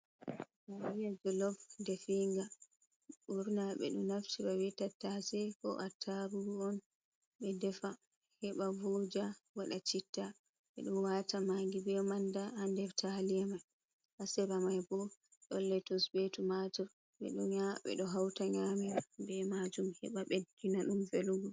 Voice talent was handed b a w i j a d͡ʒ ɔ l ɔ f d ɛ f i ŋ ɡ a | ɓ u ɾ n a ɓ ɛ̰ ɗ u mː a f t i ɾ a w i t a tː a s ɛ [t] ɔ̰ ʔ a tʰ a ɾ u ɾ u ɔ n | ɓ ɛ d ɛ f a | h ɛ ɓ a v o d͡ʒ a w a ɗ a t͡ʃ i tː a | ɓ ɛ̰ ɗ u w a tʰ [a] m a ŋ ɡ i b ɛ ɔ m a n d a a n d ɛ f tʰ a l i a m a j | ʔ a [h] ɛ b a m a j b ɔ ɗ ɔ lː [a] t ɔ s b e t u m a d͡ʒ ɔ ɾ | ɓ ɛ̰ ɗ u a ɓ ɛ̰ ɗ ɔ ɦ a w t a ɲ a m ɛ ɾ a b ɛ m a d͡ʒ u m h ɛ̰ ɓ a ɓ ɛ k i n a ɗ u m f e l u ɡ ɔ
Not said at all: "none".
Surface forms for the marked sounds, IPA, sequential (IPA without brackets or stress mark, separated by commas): k, a, s, ɛ